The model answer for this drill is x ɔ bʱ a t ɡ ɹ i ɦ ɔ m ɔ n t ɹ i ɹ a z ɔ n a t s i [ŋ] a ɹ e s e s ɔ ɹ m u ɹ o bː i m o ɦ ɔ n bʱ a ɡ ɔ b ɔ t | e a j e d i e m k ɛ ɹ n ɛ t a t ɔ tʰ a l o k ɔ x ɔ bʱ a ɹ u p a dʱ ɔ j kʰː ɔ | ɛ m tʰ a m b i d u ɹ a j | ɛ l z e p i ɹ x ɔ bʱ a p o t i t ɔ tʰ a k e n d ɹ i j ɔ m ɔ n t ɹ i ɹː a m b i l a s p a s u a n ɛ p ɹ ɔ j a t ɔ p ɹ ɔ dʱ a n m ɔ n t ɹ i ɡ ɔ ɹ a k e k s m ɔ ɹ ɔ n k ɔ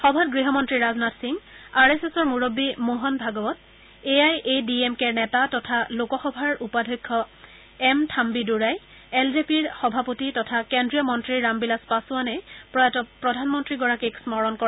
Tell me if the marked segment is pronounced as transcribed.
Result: yes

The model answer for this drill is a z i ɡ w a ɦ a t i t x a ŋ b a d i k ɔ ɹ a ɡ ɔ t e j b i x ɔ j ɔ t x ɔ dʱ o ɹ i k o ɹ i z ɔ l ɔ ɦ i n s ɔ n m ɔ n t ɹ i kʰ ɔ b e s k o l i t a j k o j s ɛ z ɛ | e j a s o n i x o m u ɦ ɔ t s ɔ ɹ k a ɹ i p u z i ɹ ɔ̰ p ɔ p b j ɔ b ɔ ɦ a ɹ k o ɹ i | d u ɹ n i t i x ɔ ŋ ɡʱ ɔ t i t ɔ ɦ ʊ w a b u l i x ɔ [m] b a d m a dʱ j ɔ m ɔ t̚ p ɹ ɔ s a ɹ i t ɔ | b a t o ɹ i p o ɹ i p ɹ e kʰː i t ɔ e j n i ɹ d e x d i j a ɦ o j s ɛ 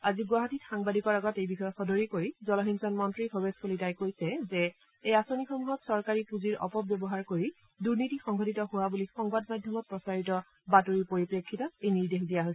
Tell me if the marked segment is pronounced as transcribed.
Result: no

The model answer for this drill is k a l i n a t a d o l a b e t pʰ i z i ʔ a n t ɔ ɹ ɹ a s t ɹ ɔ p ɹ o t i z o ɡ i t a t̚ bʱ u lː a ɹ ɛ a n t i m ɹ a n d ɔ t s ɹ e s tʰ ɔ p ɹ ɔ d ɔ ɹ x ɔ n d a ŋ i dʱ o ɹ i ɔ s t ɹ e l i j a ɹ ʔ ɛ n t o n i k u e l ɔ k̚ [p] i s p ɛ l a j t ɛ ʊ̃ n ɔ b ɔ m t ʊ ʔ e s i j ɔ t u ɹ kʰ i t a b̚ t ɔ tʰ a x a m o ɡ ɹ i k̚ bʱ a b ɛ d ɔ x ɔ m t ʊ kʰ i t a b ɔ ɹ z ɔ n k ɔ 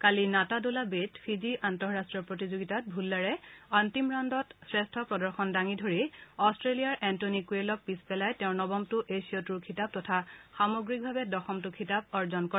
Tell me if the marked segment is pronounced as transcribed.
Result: yes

